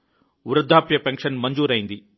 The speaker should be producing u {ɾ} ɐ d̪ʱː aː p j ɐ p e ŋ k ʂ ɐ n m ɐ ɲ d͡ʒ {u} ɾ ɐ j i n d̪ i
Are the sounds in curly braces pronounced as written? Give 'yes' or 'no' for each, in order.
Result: yes, no

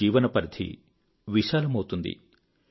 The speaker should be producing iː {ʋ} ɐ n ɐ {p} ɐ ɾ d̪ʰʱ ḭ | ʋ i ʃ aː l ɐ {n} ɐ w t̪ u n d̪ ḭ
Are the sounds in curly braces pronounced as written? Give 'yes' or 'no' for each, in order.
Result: yes, yes, no

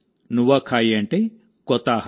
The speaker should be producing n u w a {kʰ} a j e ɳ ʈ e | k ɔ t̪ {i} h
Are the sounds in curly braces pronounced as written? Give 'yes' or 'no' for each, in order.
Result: yes, no

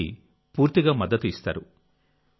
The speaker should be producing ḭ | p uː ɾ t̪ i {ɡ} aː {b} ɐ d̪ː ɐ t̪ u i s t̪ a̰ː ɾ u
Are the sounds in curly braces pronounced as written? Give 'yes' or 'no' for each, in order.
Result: yes, no

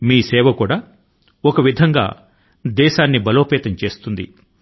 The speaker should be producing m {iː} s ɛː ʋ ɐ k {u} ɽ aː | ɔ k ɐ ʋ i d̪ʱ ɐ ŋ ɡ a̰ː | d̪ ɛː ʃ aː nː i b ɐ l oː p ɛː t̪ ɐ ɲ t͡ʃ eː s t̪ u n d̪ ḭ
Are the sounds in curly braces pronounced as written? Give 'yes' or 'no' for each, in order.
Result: yes, no

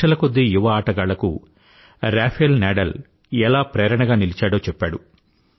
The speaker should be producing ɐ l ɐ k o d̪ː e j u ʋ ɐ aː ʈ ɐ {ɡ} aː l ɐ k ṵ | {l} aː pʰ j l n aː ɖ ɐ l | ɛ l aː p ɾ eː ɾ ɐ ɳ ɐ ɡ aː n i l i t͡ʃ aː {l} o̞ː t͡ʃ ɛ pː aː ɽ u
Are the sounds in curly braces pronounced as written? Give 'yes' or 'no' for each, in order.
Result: yes, no, no

